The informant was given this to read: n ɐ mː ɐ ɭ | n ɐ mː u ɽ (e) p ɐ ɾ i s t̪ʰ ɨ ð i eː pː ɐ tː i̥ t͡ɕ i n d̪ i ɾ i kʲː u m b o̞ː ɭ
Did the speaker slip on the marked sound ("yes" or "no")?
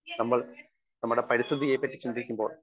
no